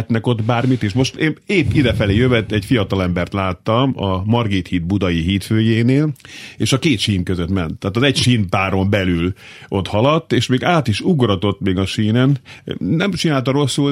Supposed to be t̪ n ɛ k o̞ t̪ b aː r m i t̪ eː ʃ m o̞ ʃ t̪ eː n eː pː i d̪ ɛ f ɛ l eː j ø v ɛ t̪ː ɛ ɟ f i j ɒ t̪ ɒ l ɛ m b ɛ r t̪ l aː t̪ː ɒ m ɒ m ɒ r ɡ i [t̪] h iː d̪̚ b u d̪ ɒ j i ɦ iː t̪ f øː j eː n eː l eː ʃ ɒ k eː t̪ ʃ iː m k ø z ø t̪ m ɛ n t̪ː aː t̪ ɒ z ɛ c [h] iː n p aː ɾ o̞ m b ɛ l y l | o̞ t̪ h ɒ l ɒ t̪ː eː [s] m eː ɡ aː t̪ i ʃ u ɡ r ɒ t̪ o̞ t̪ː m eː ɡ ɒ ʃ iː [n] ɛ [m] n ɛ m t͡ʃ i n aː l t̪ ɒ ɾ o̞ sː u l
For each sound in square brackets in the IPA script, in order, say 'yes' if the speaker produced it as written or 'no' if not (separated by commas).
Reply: yes, no, no, yes, no